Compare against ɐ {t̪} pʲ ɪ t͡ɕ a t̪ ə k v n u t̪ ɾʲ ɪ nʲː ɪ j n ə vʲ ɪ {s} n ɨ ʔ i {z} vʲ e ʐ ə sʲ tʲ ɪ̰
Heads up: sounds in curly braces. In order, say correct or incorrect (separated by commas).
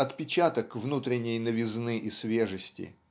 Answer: correct, incorrect, incorrect